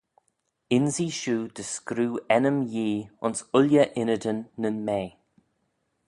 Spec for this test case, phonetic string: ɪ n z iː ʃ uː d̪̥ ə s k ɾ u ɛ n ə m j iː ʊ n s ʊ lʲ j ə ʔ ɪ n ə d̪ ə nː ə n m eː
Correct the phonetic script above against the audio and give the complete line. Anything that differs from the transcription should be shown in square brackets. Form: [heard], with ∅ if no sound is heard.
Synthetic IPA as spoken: ɪ n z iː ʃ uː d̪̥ ə s k ɾ [uː] ɛ n ə m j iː ʊ n s ʊ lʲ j ə ʔ ɪ n ə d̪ ə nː ə n m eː